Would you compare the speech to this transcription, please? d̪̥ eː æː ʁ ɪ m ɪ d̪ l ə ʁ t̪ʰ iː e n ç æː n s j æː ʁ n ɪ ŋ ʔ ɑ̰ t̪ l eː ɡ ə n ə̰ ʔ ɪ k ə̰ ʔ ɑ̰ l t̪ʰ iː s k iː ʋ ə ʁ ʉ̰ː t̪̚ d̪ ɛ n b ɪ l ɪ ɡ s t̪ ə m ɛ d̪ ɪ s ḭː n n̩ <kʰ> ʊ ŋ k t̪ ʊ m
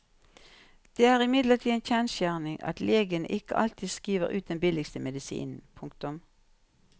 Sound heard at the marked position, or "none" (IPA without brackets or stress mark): pʰ